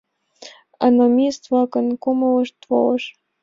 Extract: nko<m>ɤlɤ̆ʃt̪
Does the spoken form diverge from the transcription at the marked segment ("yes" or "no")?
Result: no